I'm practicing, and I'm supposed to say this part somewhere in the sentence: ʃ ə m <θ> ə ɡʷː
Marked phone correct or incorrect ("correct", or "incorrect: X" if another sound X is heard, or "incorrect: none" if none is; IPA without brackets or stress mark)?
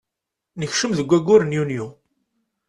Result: incorrect: ð